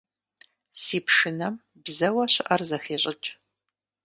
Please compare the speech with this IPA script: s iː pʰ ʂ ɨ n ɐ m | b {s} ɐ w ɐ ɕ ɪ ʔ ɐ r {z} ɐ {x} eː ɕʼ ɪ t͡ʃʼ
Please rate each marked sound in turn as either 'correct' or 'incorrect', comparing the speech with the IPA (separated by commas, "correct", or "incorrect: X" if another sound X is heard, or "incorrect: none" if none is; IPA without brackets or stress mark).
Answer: incorrect: z, correct, correct